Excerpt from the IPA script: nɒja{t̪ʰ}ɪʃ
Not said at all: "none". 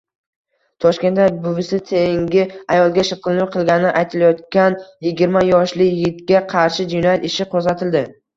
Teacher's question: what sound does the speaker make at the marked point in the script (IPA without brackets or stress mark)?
t̪